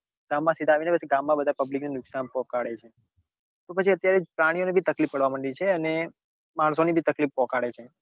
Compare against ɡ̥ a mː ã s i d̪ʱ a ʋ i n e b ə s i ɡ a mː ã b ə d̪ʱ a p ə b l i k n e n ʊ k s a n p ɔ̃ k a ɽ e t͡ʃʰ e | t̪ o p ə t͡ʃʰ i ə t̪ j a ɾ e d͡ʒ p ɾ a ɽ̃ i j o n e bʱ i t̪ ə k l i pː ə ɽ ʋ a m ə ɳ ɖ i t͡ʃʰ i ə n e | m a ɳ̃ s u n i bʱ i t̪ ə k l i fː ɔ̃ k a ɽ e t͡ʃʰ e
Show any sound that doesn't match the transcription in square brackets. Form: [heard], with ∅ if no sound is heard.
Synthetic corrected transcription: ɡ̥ a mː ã s i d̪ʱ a ʋ i n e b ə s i ɡ a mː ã b ə d̪ʱ a p ə b l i k n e n ʊ k s a n p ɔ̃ k a ɽ e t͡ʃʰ e | t̪ o p ə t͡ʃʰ i ə t̪ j a ɾ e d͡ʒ p ɾ a ɽ̃ i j o n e bʱ i t̪ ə k l i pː ə ɽ ʋ a m ə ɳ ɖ i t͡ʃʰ [e] ə n e | m a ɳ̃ s [o] n i bʱ i t̪ ə k l i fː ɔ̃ k a ɽ e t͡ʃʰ e